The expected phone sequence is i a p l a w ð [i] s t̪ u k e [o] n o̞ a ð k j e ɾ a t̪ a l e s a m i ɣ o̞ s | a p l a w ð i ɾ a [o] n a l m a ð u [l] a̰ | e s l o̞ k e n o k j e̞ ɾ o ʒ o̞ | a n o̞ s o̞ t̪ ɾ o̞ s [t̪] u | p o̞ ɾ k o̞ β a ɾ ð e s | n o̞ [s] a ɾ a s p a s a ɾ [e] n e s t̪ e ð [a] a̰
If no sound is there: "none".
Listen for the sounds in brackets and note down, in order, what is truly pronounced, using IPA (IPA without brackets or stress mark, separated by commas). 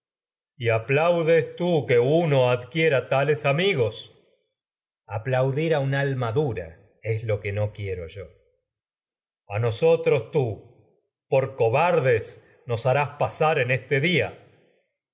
e, u, u, ɾ, t̪, s, e, i